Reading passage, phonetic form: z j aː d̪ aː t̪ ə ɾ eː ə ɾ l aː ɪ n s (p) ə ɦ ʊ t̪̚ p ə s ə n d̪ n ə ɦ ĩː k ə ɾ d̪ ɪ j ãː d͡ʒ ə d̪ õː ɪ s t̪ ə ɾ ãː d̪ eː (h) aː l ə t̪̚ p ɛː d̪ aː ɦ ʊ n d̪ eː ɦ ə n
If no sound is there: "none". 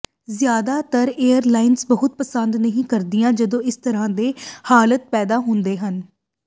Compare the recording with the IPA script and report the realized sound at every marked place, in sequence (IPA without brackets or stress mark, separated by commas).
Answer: b, h